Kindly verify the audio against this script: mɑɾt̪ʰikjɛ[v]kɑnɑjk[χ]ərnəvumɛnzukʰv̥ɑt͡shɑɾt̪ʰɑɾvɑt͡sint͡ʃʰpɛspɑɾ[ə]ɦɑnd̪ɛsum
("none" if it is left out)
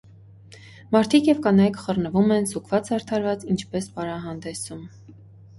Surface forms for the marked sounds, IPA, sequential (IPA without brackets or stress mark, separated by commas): v, χ, ɑ